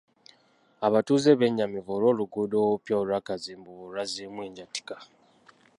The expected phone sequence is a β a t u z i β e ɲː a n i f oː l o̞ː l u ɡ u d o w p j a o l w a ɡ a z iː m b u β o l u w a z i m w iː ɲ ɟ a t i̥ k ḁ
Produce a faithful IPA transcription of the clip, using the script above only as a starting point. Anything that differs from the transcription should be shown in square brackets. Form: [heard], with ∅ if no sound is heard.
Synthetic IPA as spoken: a β a t u z [e] β e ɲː a [m] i [v] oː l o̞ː l u ɡ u d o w p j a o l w a [k] a z iː m b u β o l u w a z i m w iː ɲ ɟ a t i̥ k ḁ